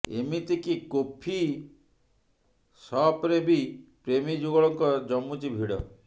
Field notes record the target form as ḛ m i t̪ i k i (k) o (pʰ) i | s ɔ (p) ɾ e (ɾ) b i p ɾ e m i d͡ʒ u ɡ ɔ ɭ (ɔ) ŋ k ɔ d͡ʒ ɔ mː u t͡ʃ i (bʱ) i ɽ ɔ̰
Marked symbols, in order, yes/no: yes, yes, yes, no, yes, yes

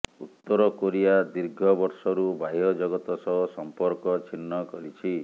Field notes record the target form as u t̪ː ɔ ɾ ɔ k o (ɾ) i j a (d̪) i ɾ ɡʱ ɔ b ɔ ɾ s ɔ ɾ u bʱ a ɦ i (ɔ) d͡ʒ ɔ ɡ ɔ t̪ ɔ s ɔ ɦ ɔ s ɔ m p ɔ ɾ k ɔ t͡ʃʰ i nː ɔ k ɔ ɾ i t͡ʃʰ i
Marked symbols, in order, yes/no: yes, yes, yes

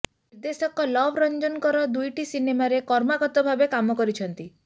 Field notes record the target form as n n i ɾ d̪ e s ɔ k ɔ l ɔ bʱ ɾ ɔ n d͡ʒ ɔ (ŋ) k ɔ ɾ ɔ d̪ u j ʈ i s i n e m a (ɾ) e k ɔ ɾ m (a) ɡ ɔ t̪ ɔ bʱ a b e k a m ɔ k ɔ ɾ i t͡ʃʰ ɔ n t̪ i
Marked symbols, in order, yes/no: no, yes, yes

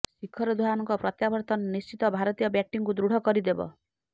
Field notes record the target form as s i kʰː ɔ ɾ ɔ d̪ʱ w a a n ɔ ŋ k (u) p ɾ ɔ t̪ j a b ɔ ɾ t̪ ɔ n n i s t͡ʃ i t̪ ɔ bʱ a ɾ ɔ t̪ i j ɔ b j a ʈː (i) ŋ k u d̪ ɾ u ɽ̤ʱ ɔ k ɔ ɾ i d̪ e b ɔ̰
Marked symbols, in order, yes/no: no, yes

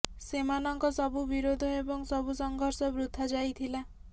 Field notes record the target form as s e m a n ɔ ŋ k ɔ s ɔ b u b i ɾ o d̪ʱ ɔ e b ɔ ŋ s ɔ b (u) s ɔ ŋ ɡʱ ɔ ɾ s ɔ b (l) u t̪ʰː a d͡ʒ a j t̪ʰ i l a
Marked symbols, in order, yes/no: yes, no

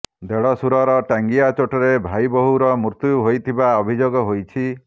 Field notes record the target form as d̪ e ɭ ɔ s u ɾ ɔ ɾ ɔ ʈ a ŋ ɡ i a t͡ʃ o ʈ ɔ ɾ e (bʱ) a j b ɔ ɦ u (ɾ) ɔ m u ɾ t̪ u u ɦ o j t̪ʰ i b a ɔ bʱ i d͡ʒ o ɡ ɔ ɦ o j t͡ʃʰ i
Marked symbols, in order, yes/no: yes, yes

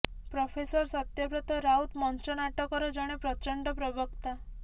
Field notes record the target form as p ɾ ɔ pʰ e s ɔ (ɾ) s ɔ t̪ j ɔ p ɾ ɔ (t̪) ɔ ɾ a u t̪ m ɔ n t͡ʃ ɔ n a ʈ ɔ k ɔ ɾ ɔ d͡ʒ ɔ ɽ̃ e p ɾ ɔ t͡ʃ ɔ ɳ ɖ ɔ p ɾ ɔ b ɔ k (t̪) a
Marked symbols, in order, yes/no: yes, yes, yes

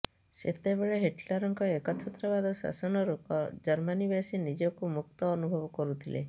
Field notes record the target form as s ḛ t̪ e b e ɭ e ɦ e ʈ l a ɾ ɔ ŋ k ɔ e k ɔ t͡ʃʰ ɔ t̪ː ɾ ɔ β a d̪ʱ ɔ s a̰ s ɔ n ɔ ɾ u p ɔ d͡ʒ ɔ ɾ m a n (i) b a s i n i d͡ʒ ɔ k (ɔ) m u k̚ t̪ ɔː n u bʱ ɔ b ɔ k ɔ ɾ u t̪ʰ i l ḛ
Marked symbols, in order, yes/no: yes, no

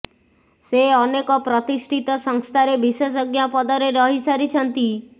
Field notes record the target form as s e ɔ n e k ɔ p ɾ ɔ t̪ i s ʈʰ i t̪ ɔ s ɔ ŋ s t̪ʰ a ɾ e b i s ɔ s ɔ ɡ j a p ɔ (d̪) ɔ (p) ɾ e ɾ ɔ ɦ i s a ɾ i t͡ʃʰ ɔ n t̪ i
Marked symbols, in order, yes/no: yes, no

